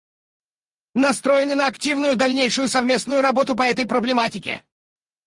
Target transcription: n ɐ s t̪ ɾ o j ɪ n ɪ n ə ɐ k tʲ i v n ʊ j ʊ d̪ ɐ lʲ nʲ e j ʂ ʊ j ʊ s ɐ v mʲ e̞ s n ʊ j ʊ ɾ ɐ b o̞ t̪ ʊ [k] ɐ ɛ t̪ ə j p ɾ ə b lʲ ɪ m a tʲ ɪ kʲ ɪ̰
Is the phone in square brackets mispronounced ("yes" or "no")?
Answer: yes